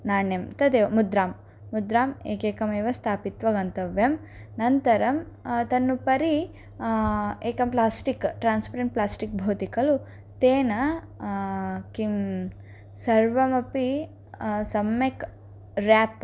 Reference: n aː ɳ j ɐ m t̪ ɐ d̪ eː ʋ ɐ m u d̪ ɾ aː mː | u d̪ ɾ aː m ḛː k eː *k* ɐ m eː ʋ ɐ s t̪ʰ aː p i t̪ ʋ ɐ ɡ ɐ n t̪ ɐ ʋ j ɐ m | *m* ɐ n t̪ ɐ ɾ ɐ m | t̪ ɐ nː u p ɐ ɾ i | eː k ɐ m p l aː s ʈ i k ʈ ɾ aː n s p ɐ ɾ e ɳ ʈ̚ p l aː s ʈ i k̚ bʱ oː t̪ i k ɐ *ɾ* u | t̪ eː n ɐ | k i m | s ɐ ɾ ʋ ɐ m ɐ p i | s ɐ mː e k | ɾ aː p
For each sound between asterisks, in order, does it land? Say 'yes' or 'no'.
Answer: yes, no, no

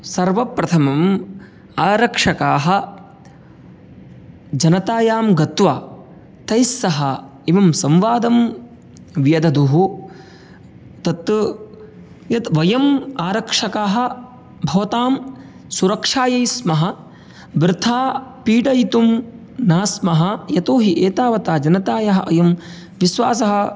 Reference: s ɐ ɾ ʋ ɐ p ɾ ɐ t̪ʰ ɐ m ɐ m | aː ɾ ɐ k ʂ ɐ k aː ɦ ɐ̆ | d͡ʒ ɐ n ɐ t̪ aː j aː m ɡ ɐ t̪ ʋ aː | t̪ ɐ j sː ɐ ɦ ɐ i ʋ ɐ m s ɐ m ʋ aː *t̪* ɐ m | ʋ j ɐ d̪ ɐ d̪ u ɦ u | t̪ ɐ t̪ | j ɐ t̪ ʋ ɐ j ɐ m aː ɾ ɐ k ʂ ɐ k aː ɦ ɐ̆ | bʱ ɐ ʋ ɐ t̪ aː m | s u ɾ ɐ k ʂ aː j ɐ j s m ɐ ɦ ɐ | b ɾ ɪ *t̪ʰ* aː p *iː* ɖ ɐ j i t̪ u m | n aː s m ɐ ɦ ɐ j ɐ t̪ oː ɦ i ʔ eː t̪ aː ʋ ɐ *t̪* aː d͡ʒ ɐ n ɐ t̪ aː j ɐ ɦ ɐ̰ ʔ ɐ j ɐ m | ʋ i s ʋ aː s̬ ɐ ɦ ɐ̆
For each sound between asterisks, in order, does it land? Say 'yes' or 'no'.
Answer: no, yes, yes, yes

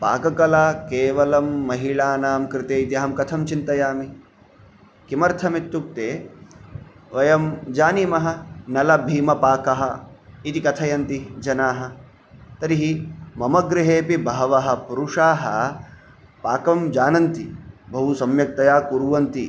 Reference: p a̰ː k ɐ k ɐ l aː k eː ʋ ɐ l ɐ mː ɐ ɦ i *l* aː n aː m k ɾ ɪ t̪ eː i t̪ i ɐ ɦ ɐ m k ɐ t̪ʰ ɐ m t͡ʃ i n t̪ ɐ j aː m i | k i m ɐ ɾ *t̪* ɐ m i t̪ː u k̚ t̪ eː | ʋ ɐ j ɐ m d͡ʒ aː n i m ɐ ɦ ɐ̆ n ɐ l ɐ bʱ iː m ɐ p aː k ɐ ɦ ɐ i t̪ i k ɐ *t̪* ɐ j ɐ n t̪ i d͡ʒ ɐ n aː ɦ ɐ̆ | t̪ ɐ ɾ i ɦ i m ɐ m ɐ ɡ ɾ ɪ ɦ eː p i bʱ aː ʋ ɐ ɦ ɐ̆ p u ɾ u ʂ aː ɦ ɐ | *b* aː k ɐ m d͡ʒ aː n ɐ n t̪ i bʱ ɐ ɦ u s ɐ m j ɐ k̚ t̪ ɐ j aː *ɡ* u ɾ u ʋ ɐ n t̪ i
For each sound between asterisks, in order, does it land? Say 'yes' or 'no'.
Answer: no, no, no, no, no

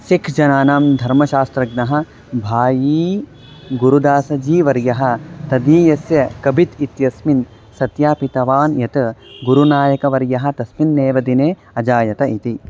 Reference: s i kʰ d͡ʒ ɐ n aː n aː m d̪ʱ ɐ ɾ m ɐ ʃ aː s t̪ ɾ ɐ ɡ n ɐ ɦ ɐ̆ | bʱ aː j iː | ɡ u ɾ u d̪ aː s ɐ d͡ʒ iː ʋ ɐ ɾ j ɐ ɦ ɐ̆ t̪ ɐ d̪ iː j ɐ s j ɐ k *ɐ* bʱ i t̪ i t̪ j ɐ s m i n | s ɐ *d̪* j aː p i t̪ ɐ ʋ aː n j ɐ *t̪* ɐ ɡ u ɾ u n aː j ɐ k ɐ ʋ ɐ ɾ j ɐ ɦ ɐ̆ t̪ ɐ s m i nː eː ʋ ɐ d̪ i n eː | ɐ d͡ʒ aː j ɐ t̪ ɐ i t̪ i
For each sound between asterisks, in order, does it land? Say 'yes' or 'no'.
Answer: yes, no, yes

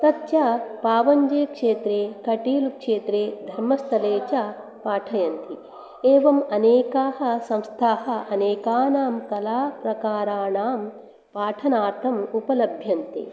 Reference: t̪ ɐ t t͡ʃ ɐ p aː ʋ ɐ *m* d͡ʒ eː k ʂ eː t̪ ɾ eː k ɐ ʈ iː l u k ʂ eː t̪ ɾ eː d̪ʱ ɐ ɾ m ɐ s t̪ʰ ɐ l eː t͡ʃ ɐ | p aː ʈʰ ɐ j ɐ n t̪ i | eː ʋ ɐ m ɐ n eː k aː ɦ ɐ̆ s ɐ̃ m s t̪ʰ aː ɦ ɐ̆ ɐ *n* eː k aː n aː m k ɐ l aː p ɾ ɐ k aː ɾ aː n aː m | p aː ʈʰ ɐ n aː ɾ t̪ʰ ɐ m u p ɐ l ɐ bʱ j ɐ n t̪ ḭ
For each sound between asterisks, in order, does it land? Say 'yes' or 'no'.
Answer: no, yes

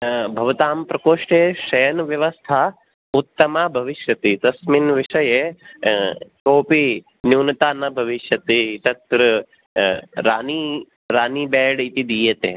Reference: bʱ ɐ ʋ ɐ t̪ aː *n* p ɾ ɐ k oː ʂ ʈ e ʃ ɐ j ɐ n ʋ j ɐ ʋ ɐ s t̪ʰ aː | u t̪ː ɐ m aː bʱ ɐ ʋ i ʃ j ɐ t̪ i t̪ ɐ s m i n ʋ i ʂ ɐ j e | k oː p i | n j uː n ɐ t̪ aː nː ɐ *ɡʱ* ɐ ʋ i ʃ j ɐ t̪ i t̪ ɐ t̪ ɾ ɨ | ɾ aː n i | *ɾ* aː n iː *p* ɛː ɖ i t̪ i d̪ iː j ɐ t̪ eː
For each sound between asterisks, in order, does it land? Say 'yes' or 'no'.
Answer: no, no, yes, no

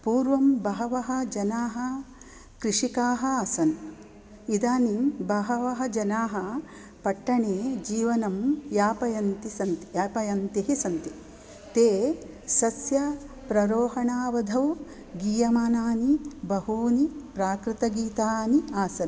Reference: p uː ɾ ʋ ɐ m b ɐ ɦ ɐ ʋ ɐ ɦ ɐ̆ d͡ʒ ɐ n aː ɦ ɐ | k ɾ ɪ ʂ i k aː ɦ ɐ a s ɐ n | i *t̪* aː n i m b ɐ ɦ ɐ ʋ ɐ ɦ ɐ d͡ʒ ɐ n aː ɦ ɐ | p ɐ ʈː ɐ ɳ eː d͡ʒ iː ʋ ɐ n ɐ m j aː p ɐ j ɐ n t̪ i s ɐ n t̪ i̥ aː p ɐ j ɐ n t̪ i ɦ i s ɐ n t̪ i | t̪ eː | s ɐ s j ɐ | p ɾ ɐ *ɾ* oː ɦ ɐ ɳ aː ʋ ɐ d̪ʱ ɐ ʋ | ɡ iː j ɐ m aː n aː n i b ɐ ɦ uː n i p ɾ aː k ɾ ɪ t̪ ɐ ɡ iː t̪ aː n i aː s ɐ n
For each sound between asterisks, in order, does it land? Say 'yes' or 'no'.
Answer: no, yes

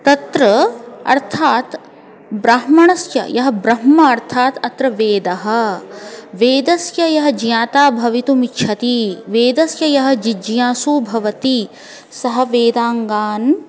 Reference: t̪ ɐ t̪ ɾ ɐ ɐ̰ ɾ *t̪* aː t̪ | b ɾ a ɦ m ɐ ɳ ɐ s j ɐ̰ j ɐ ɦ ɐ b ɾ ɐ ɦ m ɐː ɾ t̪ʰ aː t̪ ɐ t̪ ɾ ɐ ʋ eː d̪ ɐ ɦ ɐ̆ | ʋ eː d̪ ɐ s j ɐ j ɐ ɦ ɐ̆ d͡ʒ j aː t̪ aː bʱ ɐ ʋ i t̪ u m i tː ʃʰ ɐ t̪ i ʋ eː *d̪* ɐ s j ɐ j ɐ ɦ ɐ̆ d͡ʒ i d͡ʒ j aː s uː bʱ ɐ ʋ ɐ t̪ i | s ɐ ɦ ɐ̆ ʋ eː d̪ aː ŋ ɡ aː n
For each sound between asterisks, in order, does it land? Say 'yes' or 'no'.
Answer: no, yes

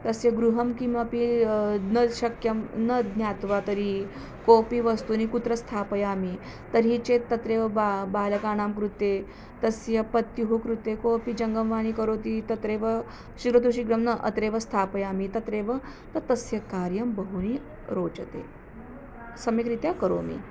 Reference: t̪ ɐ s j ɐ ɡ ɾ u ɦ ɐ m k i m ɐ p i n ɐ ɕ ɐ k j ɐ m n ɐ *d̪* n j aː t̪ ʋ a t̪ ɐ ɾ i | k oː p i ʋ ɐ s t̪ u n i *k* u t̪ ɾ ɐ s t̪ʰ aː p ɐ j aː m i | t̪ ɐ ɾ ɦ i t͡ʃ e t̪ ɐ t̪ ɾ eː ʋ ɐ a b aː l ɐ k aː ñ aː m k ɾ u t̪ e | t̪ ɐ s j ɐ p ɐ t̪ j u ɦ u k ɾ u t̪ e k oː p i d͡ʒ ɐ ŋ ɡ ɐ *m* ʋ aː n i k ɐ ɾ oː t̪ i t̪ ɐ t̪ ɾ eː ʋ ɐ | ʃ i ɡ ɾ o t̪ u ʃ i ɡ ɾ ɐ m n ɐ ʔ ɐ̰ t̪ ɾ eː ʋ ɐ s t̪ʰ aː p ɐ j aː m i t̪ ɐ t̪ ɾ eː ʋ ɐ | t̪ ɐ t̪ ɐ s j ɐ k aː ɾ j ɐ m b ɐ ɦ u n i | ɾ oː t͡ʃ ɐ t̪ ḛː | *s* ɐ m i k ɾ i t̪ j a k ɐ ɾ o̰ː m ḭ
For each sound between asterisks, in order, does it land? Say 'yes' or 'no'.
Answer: yes, yes, yes, yes

